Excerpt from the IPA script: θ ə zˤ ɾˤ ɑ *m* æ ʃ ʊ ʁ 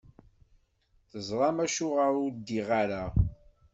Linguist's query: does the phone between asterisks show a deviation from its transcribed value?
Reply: no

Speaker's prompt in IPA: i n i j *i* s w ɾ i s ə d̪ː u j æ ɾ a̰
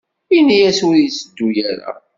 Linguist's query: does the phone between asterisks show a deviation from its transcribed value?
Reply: yes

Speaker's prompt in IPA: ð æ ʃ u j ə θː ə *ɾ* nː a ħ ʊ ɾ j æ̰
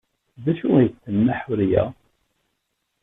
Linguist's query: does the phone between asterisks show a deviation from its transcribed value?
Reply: yes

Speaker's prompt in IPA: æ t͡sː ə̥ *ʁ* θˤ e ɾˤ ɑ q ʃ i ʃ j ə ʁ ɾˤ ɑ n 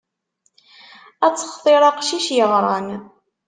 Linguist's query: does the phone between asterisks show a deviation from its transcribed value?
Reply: yes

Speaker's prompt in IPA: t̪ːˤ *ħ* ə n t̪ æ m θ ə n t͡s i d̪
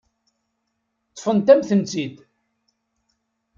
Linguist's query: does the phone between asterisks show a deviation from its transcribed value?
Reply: yes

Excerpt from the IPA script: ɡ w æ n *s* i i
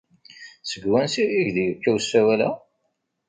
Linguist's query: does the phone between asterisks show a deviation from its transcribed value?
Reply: no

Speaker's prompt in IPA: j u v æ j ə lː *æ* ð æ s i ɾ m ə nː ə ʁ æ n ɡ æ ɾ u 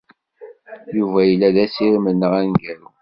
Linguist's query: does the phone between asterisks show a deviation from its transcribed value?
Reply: no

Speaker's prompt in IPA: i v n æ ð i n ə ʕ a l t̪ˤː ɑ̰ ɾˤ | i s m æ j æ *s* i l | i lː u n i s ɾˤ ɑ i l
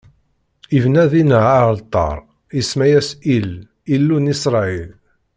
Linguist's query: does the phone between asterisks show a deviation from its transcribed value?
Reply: no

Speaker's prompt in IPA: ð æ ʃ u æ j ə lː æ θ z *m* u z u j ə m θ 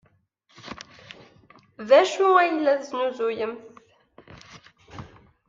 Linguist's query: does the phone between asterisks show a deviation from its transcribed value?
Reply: yes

